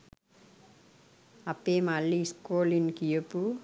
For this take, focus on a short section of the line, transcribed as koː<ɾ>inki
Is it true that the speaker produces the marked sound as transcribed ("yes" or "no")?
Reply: no